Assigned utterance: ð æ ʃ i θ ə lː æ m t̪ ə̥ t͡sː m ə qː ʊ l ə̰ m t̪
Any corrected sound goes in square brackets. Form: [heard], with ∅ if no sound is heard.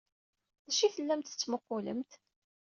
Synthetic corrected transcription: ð æ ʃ i θ ə lː æ m t̪ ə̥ t͡sː m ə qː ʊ l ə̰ m t̪